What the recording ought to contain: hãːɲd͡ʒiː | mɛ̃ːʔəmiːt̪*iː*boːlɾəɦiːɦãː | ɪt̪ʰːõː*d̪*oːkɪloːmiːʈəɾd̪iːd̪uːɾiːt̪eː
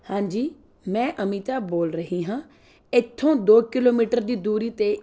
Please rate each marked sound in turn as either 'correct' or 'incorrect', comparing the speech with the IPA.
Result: incorrect, correct

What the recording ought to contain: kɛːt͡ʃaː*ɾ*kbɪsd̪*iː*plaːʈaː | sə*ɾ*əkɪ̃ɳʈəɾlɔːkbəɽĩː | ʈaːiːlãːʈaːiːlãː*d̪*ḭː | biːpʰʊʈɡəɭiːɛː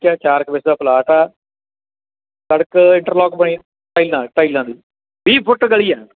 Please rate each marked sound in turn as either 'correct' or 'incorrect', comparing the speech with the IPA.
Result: correct, incorrect, incorrect, correct

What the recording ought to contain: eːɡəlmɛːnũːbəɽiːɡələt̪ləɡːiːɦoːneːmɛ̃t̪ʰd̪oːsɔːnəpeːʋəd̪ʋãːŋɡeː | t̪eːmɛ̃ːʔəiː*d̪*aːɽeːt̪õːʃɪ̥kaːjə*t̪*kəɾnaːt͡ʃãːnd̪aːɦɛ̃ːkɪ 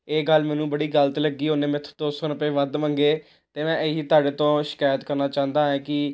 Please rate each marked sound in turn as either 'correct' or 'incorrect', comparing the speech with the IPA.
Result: incorrect, correct

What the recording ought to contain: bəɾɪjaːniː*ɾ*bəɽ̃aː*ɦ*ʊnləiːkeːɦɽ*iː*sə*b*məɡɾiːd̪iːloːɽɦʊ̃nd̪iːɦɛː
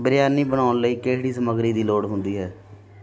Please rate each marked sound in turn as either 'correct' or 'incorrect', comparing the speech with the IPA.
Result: incorrect, incorrect, correct, incorrect

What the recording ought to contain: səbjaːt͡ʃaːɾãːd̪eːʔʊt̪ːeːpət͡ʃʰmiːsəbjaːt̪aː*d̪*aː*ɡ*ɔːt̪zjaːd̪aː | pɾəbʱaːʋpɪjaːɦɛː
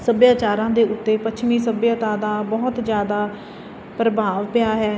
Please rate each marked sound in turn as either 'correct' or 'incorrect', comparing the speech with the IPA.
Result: correct, incorrect

